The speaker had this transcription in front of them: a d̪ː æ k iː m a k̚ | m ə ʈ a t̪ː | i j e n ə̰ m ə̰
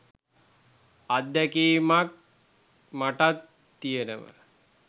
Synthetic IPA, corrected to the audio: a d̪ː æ k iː m a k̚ | m a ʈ a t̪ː | i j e n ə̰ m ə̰